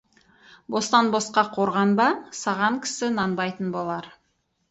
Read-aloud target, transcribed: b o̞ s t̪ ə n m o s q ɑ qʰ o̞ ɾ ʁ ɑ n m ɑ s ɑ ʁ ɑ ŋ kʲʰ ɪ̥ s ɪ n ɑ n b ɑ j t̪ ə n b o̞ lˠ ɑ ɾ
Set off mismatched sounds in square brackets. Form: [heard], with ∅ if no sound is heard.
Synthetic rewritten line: b o̞ s t̪ [ɑ] n [b] o s q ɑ qʰ o̞ ɾ ʁ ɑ n [b] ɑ s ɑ ʁ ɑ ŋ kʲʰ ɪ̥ s ɪ n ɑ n b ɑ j t̪ ə n b o̞ lˠ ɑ ɾ